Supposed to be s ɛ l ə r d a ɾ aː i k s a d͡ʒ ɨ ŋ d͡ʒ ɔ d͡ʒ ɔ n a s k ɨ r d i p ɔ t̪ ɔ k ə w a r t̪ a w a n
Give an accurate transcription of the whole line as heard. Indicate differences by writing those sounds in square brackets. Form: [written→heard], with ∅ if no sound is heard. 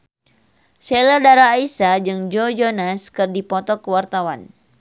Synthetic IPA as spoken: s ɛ l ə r d a ɾ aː i [k→∅] s a d͡ʒ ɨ ŋ d͡ʒ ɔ d͡ʒ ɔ n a s k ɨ r d i p ɔ t̪ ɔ k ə w a r t̪ a w a n